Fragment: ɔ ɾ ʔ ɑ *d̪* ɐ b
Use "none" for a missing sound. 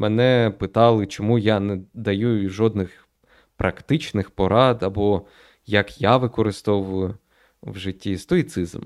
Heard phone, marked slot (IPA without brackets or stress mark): d̪